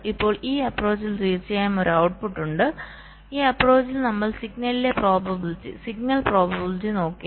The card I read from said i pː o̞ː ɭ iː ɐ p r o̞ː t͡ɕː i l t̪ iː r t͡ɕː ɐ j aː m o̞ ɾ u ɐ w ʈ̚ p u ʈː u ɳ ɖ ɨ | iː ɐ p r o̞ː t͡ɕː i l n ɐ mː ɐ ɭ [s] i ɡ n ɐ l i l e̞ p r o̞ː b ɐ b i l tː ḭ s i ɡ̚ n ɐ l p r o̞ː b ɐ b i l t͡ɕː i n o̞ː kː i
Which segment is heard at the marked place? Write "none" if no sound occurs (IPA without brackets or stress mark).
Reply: s